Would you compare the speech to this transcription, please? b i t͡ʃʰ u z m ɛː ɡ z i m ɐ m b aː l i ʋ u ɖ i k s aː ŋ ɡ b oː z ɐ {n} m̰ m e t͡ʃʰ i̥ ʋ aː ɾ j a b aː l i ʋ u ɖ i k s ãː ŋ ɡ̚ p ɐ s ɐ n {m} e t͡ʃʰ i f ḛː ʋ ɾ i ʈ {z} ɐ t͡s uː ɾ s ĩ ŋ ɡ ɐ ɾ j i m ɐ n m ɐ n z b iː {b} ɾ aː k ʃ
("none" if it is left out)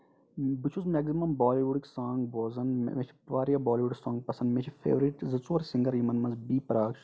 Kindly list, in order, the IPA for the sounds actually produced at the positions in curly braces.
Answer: n, m, z, p

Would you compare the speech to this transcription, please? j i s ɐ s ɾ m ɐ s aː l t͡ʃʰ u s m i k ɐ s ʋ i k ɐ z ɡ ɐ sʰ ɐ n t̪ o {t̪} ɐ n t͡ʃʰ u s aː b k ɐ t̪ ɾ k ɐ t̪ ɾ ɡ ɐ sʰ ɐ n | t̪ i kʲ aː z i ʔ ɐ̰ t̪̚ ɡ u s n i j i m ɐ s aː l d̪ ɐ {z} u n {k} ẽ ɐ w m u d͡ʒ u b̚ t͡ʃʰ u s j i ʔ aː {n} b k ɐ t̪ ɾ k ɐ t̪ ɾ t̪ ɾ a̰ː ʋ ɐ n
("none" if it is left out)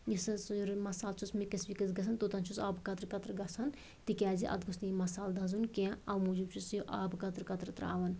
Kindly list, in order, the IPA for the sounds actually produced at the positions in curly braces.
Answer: t̪, z, k, none

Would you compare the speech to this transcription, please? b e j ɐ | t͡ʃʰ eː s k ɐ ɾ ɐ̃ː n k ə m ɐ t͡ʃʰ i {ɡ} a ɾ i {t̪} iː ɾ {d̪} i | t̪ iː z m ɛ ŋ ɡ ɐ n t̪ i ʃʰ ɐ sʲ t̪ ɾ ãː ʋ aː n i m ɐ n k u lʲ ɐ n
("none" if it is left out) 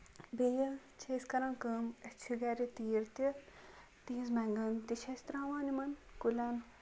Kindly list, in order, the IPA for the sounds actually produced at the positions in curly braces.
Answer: ɡ, t̪, t̪

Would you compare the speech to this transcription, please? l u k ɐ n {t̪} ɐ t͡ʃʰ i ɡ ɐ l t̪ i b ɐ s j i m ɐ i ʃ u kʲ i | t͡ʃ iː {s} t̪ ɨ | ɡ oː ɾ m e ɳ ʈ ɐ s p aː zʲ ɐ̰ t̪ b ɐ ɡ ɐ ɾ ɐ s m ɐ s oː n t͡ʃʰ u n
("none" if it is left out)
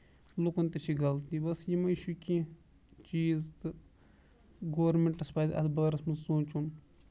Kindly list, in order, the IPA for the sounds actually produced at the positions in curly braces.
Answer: t̪, z

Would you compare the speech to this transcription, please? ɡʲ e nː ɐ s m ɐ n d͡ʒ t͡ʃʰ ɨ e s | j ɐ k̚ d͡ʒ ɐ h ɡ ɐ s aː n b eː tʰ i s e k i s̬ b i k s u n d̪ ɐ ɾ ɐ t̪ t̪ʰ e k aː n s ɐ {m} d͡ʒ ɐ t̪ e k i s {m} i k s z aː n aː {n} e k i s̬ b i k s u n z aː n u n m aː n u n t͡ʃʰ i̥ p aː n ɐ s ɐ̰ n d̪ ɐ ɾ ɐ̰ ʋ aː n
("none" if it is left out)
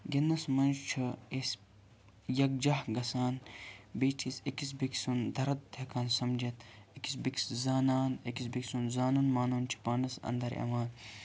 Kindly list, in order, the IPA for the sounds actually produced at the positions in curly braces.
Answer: m, b, n

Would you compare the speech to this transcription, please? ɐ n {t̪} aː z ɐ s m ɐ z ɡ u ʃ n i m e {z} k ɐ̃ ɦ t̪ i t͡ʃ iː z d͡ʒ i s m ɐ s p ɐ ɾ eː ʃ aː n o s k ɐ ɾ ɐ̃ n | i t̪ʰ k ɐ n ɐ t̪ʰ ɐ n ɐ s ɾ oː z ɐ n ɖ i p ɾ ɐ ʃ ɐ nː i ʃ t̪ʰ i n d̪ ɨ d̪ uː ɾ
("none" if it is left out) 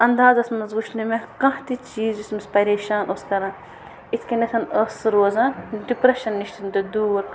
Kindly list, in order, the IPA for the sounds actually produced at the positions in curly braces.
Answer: d̪, none

